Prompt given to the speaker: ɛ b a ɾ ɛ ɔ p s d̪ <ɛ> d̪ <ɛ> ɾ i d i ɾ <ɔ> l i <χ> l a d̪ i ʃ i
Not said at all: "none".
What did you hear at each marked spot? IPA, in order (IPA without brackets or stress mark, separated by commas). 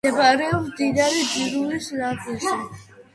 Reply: i, a, u, s